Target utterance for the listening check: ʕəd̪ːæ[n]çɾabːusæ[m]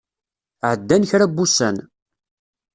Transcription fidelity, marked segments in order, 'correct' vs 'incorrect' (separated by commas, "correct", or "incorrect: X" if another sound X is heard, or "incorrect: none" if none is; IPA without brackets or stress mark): correct, incorrect: n